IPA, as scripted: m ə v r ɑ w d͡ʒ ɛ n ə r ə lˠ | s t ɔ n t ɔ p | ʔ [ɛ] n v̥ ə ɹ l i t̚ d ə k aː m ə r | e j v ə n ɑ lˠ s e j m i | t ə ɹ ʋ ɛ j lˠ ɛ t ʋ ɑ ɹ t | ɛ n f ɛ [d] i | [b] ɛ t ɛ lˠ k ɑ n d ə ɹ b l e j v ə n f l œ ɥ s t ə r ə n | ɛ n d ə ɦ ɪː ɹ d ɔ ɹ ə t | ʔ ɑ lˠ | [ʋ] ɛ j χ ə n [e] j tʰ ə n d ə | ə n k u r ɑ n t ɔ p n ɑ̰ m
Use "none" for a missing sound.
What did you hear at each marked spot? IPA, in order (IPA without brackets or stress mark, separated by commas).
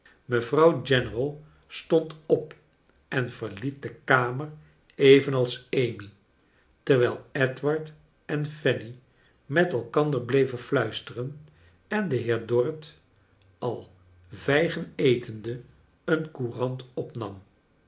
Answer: ɛ, n, m, v, e